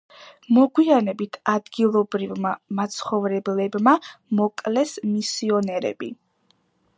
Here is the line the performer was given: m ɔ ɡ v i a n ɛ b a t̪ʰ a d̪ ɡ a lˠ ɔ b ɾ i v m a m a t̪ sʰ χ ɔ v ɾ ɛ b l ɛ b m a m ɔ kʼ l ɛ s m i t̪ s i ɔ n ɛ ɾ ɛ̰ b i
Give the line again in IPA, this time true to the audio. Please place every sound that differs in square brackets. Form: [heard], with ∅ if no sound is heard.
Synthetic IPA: m ɔ ɡ [w] i a n ɛ b [i] t̪ʰ a d̪ ɡ [i] lˠ ɔ b ɾ i v m a m a t̪ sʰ χ ɔ v ɾ ɛ b l ɛ b m a m ɔ kʼ l ɛ s m i [∅] s i ɔ n ɛ ɾ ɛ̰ b i

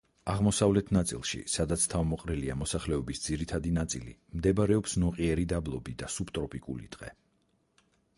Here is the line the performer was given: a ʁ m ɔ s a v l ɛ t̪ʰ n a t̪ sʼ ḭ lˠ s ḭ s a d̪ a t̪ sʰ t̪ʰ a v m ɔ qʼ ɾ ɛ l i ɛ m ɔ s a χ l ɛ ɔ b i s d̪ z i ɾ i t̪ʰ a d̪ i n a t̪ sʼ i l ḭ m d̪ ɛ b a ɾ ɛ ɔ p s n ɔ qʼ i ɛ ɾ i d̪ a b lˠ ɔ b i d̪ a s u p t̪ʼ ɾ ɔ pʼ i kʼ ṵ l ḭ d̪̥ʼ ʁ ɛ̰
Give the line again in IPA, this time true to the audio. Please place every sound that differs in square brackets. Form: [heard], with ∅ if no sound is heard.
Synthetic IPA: a ʁ m ɔ s a v l ɛ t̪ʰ n a t̪ sʼ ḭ lˠ [ʃ] ḭ s a d̪ a t̪ sʰ t̪ʰ a v m ɔ qʼ ɾ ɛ l i [a] m ɔ s a χ l ɛ ɔ b i s d̪ z i ɾ i t̪ʰ a d̪ i n a t̪ sʼ i l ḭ m d̪ ɛ b a ɾ ɛ ɔ p s n ɔ qʼ i ɛ ɾ i d̪ a b lˠ ɔ b i d̪ a s u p t̪ʼ ɾ ɔ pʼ i kʼ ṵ l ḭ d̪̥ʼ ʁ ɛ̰

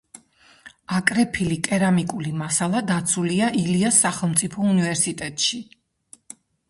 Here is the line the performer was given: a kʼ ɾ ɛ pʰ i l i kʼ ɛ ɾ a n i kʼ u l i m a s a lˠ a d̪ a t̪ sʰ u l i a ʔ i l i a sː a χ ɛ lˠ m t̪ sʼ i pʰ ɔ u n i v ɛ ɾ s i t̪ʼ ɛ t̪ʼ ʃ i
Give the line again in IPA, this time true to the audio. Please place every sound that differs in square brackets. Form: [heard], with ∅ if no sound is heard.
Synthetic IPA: a kʼ ɾ ɛ pʰ i l i kʼ ɛ ɾ a [m] i kʼ u l i m a s a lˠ a d̪ a t̪ sʰ u l i a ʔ i l i a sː a χ ɛ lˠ m t̪ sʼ i pʰ ɔ u n i v ɛ ɾ s i t̪ʼ ɛ t̪ʼ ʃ i

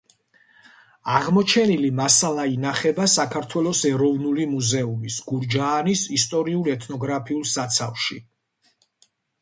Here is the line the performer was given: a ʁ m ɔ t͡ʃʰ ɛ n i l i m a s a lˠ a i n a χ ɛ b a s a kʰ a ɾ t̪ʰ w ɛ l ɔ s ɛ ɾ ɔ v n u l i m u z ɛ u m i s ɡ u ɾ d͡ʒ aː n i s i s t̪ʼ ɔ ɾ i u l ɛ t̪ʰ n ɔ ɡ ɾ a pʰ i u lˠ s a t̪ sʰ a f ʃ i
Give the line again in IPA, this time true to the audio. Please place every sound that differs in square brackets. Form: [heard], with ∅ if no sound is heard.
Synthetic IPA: a ʁ m ɔ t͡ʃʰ ɛ n i l i m a s a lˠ a i n a χ ɛ b a s a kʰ a ɾ t̪ʰ w ɛ l ɔ s ɛ ɾ ɔ v n u l i m u z ɛ u m i s ɡ u ɾ d͡ʒ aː n i s i s t̪ʼ ɔ ɾ i u l ɛ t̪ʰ n ɔ ɡ ɾ a pʰ i u lˠ s a t̪ sʰ a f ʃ i

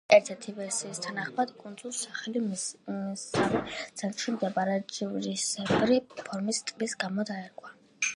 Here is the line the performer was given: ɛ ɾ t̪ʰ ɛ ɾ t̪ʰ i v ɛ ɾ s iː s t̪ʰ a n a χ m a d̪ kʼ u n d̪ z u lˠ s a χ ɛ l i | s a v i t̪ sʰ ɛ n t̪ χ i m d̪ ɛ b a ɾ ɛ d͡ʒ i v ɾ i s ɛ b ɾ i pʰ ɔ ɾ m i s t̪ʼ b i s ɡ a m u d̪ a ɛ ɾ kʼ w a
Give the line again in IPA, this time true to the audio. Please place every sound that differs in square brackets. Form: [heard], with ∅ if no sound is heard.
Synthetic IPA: ɛ ɾ t̪ʰ ɛ ɾ t̪ʰ i v ɛ ɾ s iː s t̪ʰ a n a χ m a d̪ kʼ u n d̪ z u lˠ s a χ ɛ l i | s a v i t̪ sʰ ɛ n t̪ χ i m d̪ ɛ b a ɾ ɛ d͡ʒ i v ɾ i s ɛ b ɾ i pʰ ɔ ɾ m i s t̪ʼ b i s ɡ a m [ɔ] d̪ a ɛ ɾ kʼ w a

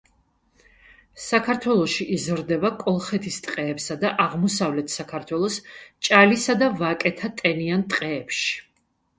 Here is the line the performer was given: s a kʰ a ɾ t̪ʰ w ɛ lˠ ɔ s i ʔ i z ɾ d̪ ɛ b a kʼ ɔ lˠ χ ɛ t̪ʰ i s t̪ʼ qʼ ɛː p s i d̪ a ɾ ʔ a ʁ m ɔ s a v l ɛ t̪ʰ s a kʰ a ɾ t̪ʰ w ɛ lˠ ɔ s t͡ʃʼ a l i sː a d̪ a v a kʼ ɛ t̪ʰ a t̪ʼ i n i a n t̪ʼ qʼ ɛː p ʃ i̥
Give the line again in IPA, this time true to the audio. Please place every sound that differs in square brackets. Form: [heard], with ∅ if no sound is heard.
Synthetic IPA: s a kʰ a ɾ t̪ʰ w ɛ lˠ ɔ [ʃ] i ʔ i z ɾ d̪ ɛ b a kʼ ɔ lˠ χ ɛ t̪ʰ i s t̪ʼ qʼ ɛː p s [a] d̪ a [∅] ʔ a ʁ m ɔ s a v l ɛ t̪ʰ s a kʰ a ɾ t̪ʰ w ɛ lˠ ɔ s t͡ʃʼ a l i [s] a d̪ a v a kʼ ɛ t̪ʰ a t̪ʼ [ɛ] n i a n t̪ʼ qʼ ɛː p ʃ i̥

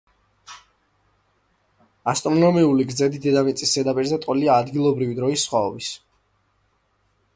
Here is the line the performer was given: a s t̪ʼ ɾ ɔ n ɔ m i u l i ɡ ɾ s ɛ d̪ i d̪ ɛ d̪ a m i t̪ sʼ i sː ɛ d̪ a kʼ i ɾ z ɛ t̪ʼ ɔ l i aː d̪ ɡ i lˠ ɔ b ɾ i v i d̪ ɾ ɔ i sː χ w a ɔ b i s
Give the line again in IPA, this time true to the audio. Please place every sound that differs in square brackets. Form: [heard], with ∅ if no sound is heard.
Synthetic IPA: a s t̪ʼ ɾ ɔ n ɔ m i u l i ɡ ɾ [z] ɛ d̪ i d̪ ɛ d̪ a m i t̪ sʼ i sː ɛ d̪ a [pʼ] i ɾ z ɛ t̪ʼ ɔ l i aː d̪ ɡ i lˠ ɔ b ɾ i v i d̪ ɾ ɔ i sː χ w a ɔ b i s

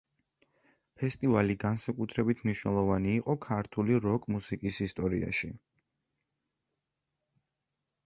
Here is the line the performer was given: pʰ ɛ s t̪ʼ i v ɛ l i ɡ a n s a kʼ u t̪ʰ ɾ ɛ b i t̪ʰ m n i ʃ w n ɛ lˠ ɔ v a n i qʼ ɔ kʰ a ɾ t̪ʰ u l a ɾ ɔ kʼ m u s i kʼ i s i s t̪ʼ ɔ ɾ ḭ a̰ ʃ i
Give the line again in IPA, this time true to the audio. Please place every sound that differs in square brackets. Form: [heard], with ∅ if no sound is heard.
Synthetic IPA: pʰ ɛ s t̪ʼ i v [a] l i ɡ a n s a kʼ u t̪ʰ ɾ ɛ b i t̪ʰ m n i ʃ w n ɛ lˠ ɔ v a n [iː] qʼ ɔ kʰ a ɾ t̪ʰ u l [i] ɾ ɔ kʼ m u s i kʼ i s i s t̪ʼ ɔ ɾ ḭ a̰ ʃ i

